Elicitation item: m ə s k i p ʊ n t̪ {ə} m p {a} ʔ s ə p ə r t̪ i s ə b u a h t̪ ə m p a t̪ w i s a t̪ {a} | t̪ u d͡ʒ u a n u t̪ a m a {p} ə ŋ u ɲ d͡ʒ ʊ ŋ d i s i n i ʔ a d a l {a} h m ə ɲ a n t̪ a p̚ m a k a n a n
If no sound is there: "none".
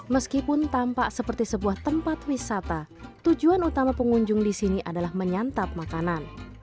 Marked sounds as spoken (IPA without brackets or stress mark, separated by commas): a, a, a, p, a